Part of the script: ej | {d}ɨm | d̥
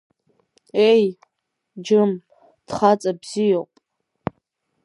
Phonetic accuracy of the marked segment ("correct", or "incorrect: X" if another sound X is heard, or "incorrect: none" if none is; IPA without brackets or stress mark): incorrect: d͡ʒ